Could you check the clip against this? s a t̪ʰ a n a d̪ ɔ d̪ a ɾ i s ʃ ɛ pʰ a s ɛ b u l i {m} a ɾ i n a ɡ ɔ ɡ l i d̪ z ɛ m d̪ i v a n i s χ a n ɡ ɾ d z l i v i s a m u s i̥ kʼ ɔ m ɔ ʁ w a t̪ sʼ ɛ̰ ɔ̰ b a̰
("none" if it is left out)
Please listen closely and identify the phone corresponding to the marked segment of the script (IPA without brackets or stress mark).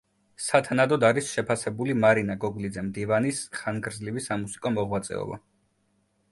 m